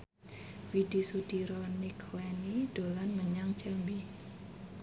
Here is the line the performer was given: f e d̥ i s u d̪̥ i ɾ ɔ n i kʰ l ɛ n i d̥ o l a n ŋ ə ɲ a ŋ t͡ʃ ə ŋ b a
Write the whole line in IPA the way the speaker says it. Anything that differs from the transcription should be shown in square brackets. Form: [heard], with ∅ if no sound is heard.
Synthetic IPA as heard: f [i] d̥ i s u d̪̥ i ɾ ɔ n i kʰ l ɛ n i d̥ o l a n [m] ə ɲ a ŋ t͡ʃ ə [m] b [i]